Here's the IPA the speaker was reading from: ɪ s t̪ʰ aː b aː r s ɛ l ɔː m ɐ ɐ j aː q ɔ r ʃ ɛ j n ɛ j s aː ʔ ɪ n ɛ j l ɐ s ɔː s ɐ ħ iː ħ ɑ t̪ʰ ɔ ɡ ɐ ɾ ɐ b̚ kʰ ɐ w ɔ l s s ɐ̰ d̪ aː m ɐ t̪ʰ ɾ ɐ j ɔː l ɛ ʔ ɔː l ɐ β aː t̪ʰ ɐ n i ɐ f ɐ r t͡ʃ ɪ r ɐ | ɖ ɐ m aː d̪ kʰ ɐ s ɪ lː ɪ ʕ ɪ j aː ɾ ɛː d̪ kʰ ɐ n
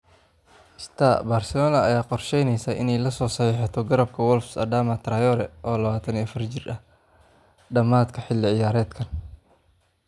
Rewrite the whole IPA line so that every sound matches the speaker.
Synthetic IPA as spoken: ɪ s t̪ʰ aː b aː r s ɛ l ɔː n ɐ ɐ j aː q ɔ r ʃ ɛ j n ɛ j s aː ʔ ɪ n ɛ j l ɐ s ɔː s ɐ ħ iː ħ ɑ t̪ʰ ɔ ɡ ɐ ɾ ɐ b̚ kʰ ɐ w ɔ l f s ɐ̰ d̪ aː m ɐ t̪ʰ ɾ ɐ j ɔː ɾ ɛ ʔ ɔː l ɐ β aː t̪ʰ ɐ n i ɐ f ɐ r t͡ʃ ɪ r ɐ | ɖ ɐ m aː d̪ kʰ ɐ ħ ɪ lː ɪ ʕ ɪ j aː ɾ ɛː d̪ kʰ ɐ n

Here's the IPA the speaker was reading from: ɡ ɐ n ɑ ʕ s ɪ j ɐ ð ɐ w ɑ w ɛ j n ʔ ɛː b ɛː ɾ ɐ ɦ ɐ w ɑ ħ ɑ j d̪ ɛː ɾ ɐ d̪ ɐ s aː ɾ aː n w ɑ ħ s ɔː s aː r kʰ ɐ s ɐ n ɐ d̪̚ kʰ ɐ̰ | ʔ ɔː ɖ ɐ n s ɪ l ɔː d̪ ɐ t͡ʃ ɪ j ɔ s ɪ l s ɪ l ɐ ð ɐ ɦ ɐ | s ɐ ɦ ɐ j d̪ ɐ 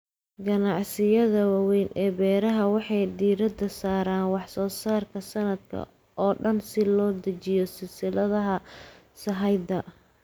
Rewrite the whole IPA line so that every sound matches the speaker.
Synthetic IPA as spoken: ɡ ɐ n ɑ ʕ s ɪ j ɐ ð ɐ w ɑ w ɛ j n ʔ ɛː b ɛː ɾ ɐ ɦ ɐ w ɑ ħ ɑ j d̪ iː ɾ ɐ d̪ ɐ s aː ɾ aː n w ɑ ħ s ɔː s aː r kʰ ɐ s ɐ n ɐ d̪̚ kʰ ɐ̰ | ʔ ɔː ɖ ɐ n s ɪ l ɔː d̪ ɐ t͡ʃ ɪ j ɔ s ɪ l s ɪ l ɐ ð ɐ ɦ ɐ | s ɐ ɦ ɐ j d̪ ɐ

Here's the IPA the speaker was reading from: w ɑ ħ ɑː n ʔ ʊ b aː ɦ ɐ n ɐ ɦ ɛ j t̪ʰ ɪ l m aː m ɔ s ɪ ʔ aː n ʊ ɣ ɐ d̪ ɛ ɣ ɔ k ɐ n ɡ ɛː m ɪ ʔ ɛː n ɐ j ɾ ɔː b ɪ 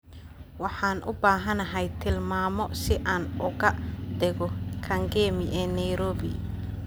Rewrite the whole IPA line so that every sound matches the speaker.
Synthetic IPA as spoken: w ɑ ħ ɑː n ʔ ʊ b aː ɦ ɐ n ɐ ɦ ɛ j t̪ʰ ɪ l m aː m ɔ s ɪ ʔ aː n ʊ ɣ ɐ d̪ ɛ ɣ ɔ kʰ ɐ ŋ ɡ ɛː m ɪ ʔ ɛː n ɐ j ɾ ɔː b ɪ

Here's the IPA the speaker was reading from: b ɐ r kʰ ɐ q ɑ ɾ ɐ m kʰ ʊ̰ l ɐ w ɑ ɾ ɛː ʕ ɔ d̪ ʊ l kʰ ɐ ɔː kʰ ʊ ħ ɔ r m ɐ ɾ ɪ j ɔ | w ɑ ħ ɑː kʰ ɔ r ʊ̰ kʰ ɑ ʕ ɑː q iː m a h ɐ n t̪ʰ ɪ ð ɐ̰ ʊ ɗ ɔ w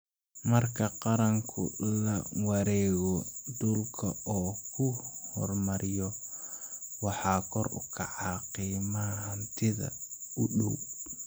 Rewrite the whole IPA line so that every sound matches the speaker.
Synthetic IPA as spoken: m ɐ r kʰ ɐ q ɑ ɾ ɐ ŋ kʰ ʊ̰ l ɐ w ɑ ɾ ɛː ɣ ɔ d̪ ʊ l kʰ ɐ ɔː kʰ ʊ h ɔ r m ɐ ɾ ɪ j ɔ | w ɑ ħ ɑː kʰ ɔ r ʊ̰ kʰ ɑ ʕ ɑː q iː m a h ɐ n t̪ʰ ɪ ð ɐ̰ ʊ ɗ ɔ w

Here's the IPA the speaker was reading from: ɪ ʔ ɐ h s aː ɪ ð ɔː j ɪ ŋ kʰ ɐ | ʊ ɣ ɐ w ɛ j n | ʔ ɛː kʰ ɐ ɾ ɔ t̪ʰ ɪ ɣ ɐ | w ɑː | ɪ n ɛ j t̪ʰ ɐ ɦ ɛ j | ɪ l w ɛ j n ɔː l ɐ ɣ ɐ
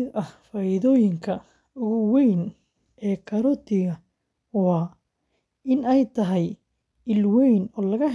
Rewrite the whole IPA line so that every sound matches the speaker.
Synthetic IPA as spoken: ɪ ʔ ɐ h f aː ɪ ð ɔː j ɪ ŋ kʰ ɐ | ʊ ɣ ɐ w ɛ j n | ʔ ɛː kʰ ɐ ɾ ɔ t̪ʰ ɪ ɣ ɐ | w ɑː | ɪ n ɛ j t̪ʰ ɐ ɦ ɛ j | ɪ l w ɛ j n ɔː l ɐ ɣ ɐ

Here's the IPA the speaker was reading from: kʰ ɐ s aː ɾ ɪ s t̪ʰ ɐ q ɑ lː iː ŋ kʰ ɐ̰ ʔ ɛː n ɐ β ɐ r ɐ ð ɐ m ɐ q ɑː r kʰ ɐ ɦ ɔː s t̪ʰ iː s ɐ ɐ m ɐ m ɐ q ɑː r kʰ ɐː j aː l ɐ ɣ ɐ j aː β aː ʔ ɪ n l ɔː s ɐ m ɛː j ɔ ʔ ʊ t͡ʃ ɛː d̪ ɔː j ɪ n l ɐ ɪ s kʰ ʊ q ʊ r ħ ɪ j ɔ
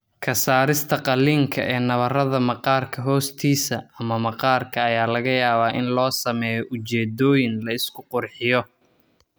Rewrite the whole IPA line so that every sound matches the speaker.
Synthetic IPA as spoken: kʰ ɐ s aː ɾ ɪ s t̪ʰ ɐ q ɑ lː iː ŋ kʰ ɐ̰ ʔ ɛː n ɐ β ɐ r ɐ ð ɐ m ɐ q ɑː r kʰ ɐ ɦ ɔː s t̪ʰ iː s ɐ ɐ m ɐ m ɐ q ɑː r kʰ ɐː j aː l ɐ ɣ ɐ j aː β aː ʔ ɪ n l ɔː s ɐ m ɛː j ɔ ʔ ʊ t͡ʃ ɛː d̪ ɔː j ɪ n l ɐ ɪ s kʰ ʊ q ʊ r ħ ɪ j ɔ

